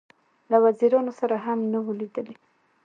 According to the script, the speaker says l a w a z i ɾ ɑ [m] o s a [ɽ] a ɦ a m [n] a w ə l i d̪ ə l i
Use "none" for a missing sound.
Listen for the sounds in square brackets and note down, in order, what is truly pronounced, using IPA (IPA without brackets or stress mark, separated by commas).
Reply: n, ɾ, n